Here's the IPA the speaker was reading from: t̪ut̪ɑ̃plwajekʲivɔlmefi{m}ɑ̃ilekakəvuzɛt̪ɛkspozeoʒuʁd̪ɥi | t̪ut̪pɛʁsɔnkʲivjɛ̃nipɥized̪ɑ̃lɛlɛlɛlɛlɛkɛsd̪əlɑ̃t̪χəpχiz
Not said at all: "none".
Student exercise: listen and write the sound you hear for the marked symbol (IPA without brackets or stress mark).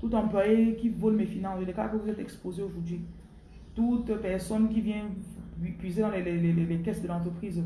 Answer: n